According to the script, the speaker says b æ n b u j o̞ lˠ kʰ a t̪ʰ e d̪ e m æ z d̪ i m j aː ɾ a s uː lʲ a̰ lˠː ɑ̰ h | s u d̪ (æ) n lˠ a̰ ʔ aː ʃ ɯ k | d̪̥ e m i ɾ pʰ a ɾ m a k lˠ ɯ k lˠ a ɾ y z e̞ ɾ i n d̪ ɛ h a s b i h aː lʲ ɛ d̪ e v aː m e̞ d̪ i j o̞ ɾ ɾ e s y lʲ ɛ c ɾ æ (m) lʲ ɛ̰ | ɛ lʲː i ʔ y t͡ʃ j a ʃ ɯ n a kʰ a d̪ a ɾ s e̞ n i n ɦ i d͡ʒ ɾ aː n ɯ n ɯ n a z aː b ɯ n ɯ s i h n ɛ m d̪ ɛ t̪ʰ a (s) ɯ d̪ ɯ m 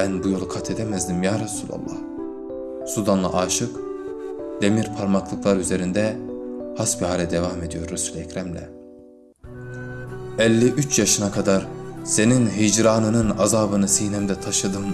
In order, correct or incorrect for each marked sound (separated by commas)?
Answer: incorrect, correct, incorrect